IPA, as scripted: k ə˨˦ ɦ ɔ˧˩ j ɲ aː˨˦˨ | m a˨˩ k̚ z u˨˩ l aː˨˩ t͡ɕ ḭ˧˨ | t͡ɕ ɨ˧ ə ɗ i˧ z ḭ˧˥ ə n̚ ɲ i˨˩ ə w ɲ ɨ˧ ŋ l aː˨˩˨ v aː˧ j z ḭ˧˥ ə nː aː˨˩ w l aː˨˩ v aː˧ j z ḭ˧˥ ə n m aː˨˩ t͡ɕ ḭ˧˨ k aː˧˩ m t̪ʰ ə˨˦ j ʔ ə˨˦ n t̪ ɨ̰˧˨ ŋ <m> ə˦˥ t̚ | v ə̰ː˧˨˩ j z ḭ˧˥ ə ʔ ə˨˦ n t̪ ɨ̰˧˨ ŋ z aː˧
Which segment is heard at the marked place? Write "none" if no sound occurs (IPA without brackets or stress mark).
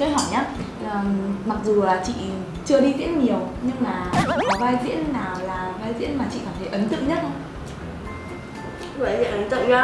ɲ